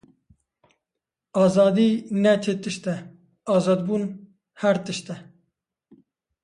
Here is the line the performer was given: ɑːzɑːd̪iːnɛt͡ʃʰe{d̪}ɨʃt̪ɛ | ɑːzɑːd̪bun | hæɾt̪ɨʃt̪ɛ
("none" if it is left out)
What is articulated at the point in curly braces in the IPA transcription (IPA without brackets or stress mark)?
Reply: t̪